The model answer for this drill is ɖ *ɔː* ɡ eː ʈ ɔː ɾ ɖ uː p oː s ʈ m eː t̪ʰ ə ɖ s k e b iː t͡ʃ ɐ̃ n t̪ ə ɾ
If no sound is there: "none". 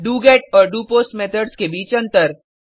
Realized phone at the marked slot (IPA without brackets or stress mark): uː